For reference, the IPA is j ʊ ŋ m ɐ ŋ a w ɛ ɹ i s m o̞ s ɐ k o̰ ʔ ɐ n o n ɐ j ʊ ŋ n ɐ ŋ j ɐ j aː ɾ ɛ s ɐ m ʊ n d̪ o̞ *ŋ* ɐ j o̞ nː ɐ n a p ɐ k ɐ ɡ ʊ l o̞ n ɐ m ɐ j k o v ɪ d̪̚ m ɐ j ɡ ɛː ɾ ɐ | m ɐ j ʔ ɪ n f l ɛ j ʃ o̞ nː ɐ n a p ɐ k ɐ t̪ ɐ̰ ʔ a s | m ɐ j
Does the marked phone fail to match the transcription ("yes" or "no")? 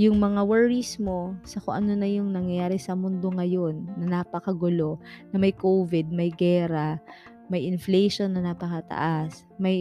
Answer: no